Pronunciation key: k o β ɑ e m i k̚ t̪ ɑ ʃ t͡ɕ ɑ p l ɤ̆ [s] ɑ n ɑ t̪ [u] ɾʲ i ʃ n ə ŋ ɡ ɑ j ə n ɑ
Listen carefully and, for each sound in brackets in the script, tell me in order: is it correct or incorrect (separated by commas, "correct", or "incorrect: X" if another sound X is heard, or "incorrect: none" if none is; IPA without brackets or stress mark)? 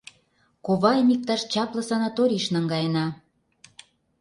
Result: correct, incorrect: o